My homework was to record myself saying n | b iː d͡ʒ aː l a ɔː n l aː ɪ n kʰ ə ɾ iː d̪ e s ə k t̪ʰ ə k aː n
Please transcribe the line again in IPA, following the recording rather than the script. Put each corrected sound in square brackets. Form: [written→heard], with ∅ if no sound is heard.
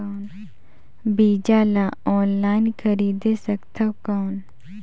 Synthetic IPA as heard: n | b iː d͡ʒ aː l a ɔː n l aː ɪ n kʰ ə ɾ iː d̪ e s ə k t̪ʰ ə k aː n